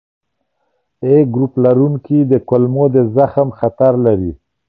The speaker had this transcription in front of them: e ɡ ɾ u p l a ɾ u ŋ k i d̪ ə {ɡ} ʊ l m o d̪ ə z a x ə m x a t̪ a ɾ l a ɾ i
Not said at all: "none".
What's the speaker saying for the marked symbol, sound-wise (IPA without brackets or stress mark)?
k